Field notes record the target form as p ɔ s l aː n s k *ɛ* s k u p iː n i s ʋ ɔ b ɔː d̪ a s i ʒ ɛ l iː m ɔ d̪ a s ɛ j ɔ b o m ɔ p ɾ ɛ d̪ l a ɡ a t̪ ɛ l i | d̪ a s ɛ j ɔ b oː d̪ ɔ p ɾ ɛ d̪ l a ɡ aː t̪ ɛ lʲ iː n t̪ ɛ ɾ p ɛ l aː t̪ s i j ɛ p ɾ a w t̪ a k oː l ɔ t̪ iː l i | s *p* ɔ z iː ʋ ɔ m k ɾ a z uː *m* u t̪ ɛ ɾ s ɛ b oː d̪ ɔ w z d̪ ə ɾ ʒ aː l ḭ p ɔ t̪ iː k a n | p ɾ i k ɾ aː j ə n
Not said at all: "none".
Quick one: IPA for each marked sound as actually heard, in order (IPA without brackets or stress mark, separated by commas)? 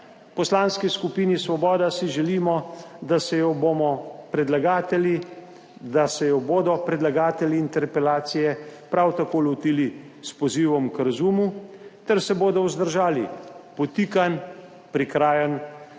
i, p, m